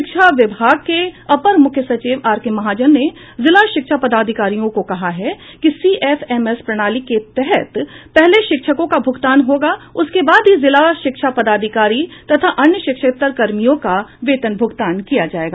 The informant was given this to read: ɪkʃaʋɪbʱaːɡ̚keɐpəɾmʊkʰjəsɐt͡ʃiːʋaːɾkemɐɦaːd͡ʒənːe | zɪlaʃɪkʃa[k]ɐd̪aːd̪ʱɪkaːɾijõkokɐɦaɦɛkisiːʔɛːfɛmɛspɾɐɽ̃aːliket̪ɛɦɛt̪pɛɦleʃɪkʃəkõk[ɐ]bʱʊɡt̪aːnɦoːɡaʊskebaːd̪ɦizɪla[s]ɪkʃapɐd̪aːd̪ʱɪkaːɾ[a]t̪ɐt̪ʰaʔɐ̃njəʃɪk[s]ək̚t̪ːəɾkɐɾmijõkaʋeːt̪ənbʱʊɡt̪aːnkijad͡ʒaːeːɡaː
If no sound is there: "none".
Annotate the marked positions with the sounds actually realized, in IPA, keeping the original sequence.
p, a, ʃ, i, ʃ

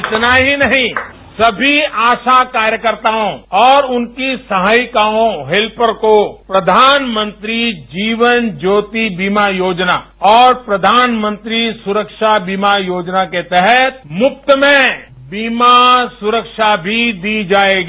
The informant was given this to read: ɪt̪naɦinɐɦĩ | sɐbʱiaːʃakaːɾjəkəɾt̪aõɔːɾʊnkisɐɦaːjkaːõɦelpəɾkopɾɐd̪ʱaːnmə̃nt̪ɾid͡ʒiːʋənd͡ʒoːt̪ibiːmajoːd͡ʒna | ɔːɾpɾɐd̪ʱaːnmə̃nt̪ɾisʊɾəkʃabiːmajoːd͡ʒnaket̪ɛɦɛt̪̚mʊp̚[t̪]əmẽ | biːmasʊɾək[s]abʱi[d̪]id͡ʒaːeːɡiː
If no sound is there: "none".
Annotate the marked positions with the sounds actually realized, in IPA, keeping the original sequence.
t̪, ʃ, d̪

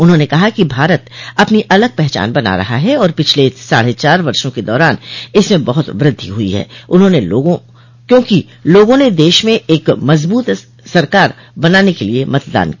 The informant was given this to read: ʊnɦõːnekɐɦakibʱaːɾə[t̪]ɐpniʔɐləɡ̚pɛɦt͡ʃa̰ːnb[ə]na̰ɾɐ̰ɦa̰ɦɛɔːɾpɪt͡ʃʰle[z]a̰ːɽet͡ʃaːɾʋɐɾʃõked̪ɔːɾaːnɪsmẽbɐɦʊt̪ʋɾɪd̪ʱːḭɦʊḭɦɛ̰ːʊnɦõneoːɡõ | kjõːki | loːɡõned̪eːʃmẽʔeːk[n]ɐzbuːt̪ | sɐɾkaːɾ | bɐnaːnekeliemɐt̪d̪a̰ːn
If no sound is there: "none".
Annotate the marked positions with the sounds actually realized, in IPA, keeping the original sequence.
t̪, ɐ, s, m

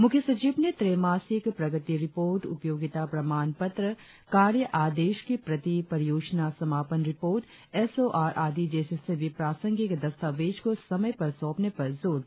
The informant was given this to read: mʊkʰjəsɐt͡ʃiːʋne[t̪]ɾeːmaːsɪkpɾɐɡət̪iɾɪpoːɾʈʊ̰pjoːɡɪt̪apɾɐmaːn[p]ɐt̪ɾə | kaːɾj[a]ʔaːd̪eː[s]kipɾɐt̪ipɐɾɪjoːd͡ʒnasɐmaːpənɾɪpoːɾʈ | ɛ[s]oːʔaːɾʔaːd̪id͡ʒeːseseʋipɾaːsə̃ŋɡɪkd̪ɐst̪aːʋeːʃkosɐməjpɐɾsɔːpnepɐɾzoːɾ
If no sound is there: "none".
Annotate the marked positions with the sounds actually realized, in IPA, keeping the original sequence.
t̪, p, ə, ʃ, s

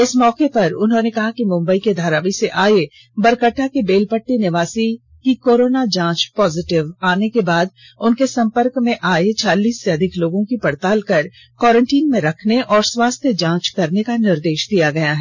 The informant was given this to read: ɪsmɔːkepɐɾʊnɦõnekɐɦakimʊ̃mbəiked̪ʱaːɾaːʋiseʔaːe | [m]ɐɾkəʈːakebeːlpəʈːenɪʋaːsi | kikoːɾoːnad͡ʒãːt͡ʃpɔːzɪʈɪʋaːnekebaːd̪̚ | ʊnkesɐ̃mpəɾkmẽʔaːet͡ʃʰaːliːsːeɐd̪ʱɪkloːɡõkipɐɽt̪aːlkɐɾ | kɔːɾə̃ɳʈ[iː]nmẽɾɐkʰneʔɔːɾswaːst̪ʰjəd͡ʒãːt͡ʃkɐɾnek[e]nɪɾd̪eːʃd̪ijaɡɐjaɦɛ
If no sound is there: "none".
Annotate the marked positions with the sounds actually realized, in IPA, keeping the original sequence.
b, iː, a

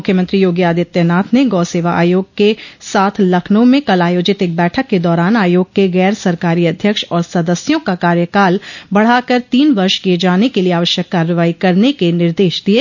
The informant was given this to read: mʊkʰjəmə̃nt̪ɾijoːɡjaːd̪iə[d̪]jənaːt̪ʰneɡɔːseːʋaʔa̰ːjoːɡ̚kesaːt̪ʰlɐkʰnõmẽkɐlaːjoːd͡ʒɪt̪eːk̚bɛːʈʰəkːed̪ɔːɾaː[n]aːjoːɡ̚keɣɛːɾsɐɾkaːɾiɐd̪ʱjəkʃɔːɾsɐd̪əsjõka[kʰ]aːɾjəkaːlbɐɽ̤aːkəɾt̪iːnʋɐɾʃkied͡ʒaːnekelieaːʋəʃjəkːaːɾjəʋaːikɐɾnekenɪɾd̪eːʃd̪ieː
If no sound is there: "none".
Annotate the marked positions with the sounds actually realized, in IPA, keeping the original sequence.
t̪, n, k

